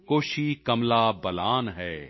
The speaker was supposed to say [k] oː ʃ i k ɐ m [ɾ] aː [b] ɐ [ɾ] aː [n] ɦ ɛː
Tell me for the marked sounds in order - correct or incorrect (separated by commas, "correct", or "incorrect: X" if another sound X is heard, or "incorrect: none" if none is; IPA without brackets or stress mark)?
correct, incorrect: l, correct, incorrect: l, correct